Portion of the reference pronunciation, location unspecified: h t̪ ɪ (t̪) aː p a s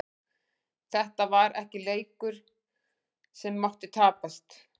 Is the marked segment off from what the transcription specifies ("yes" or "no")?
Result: yes